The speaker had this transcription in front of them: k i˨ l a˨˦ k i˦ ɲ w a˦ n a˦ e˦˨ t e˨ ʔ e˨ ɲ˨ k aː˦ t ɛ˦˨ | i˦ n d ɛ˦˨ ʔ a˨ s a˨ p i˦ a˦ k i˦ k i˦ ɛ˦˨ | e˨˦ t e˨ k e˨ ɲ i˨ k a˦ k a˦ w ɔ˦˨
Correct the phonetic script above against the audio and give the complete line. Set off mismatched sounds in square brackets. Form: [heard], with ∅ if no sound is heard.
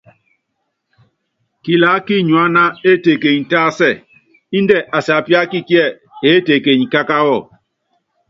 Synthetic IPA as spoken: k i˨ l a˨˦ k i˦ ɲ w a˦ n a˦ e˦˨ t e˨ [k] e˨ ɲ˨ [t] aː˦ [s] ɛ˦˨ | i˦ n d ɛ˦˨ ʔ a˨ s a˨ p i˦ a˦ k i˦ k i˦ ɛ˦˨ | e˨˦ t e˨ k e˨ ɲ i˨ k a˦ k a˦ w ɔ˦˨